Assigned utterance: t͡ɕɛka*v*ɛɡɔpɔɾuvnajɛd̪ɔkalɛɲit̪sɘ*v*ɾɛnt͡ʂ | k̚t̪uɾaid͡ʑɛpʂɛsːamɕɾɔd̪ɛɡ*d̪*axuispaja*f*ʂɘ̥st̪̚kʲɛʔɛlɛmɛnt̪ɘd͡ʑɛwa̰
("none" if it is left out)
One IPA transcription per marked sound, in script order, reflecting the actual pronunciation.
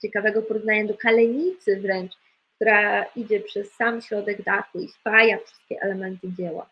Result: v, v, d̪, f

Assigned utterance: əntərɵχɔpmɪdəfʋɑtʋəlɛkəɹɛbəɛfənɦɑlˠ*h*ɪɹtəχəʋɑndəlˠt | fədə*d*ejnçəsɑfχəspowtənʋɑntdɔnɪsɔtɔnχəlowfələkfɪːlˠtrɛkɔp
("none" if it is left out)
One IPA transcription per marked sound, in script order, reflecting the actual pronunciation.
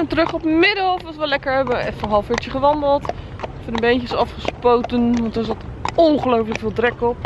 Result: f, b

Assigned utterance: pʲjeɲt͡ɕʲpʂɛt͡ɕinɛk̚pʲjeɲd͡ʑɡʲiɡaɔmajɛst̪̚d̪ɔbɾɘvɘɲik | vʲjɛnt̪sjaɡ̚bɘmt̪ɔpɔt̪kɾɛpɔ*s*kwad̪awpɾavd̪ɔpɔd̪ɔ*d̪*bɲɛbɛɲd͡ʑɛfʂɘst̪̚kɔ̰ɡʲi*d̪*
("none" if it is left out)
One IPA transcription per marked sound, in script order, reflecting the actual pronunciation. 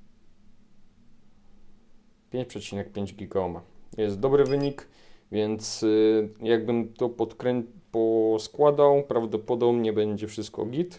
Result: s, none, t̪

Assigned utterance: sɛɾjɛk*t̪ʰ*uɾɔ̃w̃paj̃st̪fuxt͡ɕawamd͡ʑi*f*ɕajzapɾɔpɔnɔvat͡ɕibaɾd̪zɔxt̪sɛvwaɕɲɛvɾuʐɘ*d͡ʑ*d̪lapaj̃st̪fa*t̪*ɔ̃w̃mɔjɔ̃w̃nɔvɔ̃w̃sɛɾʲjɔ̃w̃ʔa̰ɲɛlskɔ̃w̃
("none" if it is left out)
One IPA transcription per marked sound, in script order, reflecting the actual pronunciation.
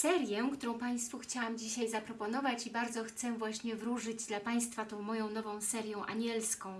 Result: t̪, none, d͡ʑ, t̪

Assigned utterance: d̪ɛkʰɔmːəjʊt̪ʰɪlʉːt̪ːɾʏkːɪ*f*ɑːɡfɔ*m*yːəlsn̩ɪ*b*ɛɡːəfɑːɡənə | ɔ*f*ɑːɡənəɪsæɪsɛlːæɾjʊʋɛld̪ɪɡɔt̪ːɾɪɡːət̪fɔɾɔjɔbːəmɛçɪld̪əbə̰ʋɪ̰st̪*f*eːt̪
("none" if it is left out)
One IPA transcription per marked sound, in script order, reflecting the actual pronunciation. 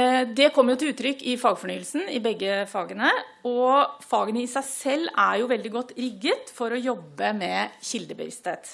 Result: f, ɳ, b, f, h

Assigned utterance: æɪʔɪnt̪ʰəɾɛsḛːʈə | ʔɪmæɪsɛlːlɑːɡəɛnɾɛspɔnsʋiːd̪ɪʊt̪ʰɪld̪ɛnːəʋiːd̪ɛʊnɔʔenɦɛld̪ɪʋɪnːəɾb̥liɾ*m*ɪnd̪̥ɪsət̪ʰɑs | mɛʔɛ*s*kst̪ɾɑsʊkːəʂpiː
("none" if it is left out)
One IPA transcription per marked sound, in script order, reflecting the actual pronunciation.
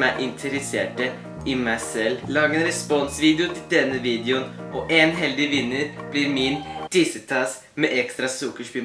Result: m, none

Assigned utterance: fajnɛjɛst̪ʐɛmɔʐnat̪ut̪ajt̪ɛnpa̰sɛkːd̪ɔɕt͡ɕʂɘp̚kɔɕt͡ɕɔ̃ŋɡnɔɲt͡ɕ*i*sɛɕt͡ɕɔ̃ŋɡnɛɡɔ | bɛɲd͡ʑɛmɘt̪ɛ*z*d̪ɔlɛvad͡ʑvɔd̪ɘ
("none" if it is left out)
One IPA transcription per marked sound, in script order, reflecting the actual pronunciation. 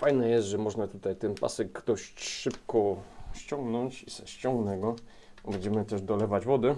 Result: i, ʐ

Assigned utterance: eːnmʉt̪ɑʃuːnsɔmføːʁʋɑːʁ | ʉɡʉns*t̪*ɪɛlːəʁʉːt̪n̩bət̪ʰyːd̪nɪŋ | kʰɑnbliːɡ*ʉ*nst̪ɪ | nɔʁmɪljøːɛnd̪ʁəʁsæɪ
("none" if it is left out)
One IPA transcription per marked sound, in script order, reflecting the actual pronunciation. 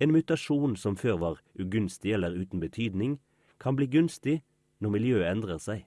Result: t̪, ʉ

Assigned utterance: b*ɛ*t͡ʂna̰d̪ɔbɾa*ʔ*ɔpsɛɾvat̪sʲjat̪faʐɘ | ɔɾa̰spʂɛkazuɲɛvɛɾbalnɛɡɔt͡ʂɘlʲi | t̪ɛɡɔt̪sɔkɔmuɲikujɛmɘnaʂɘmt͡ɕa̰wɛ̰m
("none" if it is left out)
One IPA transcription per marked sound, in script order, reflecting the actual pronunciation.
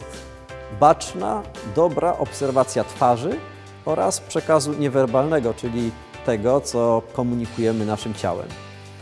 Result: a, ʔ

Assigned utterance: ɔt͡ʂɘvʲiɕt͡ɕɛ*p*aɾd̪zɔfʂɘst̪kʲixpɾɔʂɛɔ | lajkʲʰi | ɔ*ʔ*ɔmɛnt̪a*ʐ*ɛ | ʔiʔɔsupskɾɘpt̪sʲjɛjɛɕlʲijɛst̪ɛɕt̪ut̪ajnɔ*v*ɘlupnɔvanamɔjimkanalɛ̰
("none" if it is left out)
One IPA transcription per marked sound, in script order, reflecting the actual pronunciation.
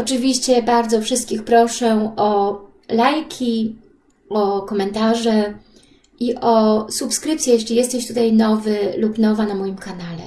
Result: b, k, ʐ, v

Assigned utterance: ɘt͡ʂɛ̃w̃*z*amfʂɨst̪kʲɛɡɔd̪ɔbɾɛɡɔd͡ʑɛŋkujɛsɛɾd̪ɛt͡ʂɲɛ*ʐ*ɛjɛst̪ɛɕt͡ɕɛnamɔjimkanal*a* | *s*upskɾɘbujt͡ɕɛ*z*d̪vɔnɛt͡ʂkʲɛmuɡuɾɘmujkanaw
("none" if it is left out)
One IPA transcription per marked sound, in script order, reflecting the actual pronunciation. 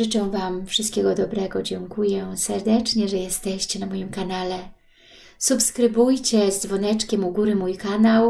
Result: v, ʐ, ɛ, s, z

